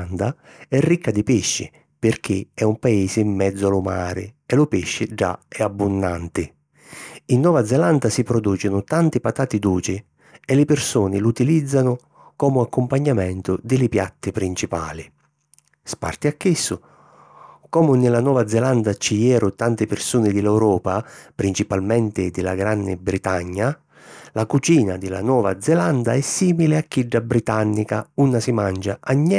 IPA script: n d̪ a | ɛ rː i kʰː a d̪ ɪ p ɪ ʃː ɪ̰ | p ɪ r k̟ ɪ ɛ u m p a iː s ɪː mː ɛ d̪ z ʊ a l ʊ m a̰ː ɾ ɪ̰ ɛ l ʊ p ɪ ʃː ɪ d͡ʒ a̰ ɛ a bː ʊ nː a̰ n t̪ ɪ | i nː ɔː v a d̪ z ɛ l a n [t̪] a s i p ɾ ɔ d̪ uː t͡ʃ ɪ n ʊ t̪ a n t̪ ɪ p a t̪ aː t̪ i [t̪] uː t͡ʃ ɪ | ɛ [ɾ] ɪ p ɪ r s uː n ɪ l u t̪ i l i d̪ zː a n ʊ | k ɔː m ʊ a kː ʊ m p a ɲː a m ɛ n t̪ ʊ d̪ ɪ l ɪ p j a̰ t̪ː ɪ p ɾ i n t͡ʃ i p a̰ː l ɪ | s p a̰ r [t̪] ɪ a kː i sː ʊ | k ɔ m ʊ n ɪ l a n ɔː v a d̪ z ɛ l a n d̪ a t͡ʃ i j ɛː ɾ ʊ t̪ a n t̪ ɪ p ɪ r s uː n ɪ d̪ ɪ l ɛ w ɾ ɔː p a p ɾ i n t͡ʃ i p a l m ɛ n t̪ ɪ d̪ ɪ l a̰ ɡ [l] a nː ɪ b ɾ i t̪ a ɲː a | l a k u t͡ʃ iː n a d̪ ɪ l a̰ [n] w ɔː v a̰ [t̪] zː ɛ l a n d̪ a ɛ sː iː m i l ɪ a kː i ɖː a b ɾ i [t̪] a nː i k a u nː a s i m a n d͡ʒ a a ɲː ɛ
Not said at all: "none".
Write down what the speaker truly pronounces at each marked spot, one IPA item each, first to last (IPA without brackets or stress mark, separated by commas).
d̪, d̪, l, t̪, ɾ, n, d̪, t̪